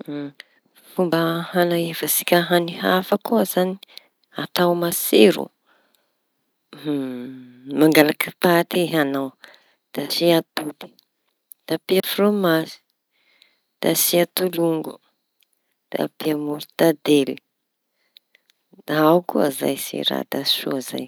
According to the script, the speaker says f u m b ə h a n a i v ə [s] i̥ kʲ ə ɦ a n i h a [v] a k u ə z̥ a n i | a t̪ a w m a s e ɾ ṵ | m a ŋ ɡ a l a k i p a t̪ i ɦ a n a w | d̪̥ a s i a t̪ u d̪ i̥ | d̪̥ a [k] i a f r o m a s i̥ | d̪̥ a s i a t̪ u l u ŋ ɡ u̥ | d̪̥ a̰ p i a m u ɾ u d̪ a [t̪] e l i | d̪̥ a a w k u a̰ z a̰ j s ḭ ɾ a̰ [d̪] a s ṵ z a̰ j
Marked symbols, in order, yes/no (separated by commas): yes, no, no, no, yes